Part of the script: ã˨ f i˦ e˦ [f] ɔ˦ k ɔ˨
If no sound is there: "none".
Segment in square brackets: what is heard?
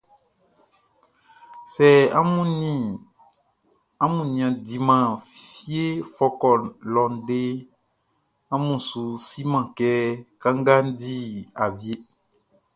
f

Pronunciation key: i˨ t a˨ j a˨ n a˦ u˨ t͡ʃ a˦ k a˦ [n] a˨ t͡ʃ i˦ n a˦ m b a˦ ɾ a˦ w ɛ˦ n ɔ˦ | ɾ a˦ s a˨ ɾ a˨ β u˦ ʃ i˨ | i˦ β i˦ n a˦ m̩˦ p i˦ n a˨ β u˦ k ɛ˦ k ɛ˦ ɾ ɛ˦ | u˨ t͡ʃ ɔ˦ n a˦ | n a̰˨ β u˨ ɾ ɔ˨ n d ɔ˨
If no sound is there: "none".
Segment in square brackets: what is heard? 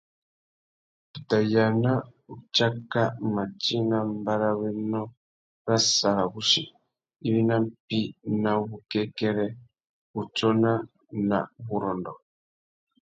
m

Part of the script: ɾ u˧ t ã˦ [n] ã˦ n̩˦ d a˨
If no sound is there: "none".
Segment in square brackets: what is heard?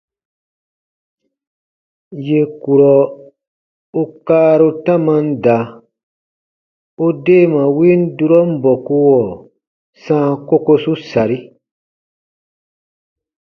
m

